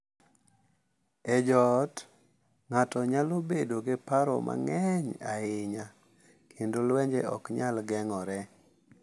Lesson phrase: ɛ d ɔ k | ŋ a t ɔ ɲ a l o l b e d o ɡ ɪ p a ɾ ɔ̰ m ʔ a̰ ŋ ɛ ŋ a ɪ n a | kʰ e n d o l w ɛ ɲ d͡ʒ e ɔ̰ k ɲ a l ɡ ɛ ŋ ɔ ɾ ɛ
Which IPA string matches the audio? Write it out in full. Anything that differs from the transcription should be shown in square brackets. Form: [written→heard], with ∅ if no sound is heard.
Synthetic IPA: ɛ [d→d͡ʒ] ɔ [k→t] | ŋ a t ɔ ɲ a l o [l→∅] b e d o ɡ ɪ p a ɾ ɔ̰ m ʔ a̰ ŋ ɛ [ŋ→ɲ] a ɪ [n→ɲ] a | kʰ e n d o l w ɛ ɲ d͡ʒ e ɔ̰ k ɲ a l ɡ ɛ ŋ ɔ ɾ ɛ